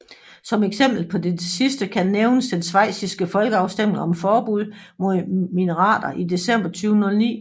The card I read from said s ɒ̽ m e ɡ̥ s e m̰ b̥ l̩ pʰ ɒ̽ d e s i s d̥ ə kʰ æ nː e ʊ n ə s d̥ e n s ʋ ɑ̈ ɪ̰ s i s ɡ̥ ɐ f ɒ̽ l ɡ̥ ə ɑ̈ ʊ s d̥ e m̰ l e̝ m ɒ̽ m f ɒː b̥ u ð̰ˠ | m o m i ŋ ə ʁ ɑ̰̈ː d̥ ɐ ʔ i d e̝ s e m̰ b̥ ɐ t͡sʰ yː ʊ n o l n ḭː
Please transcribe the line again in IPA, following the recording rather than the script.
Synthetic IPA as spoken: s ɒ̽ m e ɡ̥ s e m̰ b̥ l̩ pʰ ɒ̽ d e s i s d̥ ə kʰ æ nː e ʊ n ə s d̥ e n s ʋ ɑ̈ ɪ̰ s i s ɡ̥ ə f ɒ̽ l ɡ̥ ə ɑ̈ ʊ s d̥ e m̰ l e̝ ŋ ɒ̽ m f ɒː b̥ u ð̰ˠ | m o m i n ə ʁ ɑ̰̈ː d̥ ɐ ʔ i d e̝ s e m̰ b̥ ɐ t͡sʰ yː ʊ n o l n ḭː